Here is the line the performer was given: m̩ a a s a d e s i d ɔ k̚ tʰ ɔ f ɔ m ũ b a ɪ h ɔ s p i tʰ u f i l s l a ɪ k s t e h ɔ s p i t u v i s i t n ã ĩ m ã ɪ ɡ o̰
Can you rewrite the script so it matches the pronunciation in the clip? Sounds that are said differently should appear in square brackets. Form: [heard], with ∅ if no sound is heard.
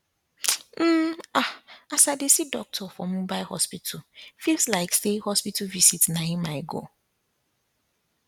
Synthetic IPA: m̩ a a s a d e s i d ɔ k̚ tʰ ɔ f ɔ m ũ b a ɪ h ɔ s p i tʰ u f i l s l a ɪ k s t e h ɔ s p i t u v i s i t n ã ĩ m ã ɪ ɡ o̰